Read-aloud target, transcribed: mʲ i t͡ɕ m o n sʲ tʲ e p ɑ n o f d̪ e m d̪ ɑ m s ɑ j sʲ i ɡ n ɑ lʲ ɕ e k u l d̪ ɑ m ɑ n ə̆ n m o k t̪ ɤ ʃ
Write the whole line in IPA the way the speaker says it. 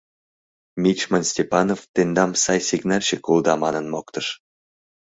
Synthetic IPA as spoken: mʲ i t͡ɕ m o n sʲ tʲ e p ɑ n o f t̪ e n d̪ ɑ m s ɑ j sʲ i ɡ n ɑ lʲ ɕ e k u l d̪ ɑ m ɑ n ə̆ n m o k t̪ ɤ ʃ